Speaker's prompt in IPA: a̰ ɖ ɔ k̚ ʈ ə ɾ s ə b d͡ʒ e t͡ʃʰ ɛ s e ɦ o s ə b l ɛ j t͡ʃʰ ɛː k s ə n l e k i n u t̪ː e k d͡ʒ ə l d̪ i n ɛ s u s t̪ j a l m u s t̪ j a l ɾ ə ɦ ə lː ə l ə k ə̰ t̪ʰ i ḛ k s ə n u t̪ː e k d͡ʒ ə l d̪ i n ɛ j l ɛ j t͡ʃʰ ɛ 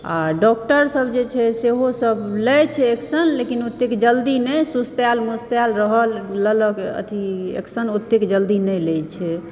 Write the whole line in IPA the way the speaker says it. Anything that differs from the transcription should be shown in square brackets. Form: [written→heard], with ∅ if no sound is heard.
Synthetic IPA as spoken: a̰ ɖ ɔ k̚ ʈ ə ɾ s ə b d͡ʒ e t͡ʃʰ ɛ s e ɦ o s ə b l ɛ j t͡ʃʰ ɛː k s ə n l e k i n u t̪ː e k d͡ʒ ə l d̪ i n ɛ s u s t̪ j a l m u s t̪ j a l ɾ ə ɦ ə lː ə l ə k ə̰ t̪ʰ i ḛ k s ə n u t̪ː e k d͡ʒ ə l d̪ i n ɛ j l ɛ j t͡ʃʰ ɛ